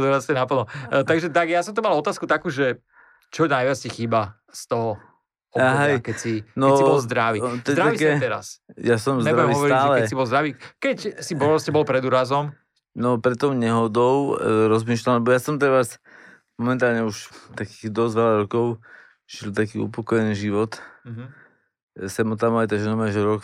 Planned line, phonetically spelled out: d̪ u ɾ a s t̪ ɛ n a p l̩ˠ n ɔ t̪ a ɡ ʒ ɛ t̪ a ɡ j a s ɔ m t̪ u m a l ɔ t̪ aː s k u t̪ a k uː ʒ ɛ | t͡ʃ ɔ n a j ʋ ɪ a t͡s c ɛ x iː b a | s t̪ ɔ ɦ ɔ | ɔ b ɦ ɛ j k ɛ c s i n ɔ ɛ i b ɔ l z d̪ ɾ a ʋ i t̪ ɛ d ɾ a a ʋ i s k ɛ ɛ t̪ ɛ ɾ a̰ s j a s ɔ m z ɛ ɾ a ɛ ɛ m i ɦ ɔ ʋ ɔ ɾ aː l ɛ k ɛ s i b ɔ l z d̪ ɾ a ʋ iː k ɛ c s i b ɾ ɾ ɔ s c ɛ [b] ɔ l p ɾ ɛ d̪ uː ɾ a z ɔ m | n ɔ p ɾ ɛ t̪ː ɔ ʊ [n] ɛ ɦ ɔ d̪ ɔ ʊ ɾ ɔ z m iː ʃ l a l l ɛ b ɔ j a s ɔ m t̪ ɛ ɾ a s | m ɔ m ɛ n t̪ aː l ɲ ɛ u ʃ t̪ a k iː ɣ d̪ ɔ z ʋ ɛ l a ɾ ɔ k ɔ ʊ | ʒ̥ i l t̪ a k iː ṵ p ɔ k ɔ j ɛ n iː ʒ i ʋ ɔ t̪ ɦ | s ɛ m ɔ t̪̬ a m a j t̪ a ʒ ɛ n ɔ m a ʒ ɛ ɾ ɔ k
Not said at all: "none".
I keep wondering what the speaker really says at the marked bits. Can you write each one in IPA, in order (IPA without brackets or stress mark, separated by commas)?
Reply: b, ɲ